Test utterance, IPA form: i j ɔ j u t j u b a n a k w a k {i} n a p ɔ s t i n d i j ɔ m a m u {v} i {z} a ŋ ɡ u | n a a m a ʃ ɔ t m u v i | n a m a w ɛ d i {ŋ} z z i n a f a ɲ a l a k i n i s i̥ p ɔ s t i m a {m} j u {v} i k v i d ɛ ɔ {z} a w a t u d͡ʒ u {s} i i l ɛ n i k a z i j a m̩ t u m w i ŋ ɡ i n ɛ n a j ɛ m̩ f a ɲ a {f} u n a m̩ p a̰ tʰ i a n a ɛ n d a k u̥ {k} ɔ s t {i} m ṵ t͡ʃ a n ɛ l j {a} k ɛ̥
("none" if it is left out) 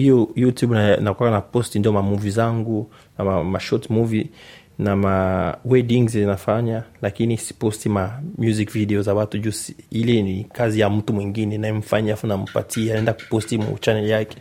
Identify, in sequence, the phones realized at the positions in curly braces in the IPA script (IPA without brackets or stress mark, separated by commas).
a, v, z, ŋ, m, z, z, s, f, p, i, a